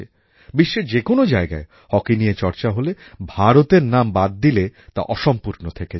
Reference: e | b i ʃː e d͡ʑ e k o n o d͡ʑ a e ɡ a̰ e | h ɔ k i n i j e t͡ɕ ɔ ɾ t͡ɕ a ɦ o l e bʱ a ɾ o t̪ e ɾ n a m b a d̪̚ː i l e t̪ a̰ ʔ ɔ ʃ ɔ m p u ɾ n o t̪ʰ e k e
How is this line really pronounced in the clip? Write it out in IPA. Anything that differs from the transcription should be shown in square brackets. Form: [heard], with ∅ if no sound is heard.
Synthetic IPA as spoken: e | b i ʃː e d͡ʑ e k o n o d͡ʑ a e ɡ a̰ e | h ɔ k i n i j e t͡ɕ ɔ ɾ t͡ɕ a ɦ o l e bʱ a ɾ o t̪ e ɾ n a m b a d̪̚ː i l e t̪ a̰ ʔ ɔ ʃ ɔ m p u ɾ n o t̪ʰ e k e

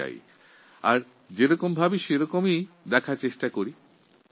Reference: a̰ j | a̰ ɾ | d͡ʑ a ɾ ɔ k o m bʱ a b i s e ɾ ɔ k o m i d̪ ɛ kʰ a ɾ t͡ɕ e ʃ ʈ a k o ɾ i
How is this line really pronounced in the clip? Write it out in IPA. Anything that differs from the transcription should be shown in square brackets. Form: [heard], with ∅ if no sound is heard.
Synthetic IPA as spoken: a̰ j | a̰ ɾ | d͡ʑ [e] ɾ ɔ k o m bʱ a b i [ʃ] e ɾ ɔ k o m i d̪ ɛ kʰ a ɾ t͡ɕ e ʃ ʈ a k o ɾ i

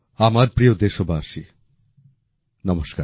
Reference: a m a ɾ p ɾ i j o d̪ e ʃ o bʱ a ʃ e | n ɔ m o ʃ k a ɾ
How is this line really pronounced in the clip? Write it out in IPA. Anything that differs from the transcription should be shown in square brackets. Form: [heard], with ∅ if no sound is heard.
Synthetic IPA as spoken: a m a ɾ p ɾ i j o d̪ e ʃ o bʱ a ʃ [i] | n ɔ m o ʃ k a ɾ

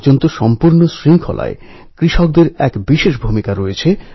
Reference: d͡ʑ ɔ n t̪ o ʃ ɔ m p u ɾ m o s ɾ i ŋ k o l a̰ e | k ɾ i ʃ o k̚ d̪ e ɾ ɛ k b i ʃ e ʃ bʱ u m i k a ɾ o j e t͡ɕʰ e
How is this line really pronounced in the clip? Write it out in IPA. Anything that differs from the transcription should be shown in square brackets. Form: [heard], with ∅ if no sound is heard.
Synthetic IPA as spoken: d͡ʑ [o] n t̪ o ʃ ɔ m p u ɾ [n] o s ɾ i ŋ [kʰ] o l a̰ e | k ɾ i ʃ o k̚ d̪ e ɾ ɛ k b i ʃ e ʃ bʱ u m i k a ɾ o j e t͡ɕʰ e

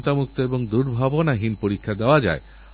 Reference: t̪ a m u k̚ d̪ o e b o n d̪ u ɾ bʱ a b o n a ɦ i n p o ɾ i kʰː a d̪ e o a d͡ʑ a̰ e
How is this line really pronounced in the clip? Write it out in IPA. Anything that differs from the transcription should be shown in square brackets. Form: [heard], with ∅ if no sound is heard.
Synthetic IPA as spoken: t̪ a m u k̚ [t̪] o e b o [ŋ] d̪ u ɾ bʱ a b o n a ɦ i n p o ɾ i kʰː a d̪ e o a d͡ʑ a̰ e

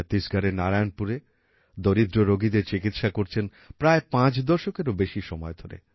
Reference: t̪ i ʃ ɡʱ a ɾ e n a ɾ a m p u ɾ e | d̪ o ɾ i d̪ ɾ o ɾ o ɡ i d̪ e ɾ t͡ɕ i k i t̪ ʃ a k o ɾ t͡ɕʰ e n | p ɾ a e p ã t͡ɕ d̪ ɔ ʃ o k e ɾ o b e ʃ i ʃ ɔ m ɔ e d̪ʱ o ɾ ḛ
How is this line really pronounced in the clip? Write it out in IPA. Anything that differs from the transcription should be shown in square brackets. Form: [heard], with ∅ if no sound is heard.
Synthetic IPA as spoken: t̪ i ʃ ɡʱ a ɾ e n a ɾ a [n] p u ɾ e | d̪ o ɾ i d̪ ɾ o ɾ o ɡ i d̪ e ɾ t͡ɕ i k i t̪ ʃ a k o ɾ t͡ɕʰ e n | p ɾ a e p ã t͡ɕ d̪ ɔ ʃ o k e ɾ o b e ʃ i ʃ ɔ m ɔ e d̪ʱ o ɾ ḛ

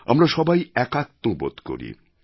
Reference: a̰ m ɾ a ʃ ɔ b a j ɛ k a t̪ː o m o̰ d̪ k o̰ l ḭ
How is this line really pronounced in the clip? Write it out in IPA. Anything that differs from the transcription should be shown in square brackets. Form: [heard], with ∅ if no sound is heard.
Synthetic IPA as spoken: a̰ m ɾ a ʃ ɔ b a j ɛ k a t̪ː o [b] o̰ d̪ k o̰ [ɾ] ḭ

